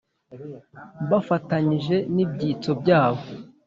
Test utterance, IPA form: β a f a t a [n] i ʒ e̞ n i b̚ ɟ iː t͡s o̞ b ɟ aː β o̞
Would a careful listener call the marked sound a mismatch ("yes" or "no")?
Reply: yes